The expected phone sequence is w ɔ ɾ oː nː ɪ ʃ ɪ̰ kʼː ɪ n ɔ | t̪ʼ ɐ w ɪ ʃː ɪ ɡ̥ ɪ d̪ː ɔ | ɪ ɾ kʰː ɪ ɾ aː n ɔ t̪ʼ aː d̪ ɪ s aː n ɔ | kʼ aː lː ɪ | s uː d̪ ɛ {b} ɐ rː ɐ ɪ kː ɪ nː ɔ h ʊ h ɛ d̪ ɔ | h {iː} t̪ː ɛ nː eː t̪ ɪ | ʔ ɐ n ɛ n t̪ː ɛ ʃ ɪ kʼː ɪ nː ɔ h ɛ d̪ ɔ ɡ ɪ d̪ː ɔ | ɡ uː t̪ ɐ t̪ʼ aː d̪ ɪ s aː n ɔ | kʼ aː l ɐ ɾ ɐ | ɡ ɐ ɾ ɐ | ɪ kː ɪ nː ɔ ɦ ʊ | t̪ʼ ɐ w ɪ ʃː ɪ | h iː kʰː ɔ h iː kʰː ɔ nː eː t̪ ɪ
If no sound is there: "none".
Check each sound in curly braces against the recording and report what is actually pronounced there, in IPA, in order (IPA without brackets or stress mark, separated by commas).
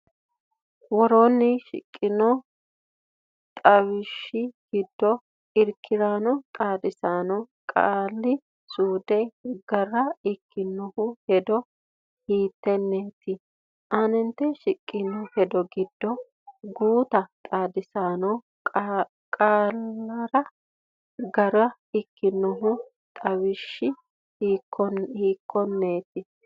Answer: ɡ, iː